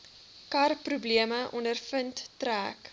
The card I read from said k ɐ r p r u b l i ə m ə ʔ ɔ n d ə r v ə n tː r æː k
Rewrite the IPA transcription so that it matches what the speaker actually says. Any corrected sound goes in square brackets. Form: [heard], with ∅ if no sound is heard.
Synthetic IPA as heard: k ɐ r p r u b l i ə m ə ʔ ɔ n d ə r [f] ə n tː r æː k